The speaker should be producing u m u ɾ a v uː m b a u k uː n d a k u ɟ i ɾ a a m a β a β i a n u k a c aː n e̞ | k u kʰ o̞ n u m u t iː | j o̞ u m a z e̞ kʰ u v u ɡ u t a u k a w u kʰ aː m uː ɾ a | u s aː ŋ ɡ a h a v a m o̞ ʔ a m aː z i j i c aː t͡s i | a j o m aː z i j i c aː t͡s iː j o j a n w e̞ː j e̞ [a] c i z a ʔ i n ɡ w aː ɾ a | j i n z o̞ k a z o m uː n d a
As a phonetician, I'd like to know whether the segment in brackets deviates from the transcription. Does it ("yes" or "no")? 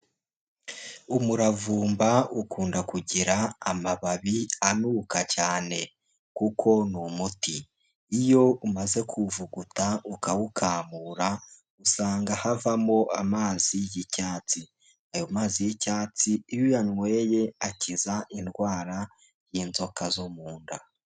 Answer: no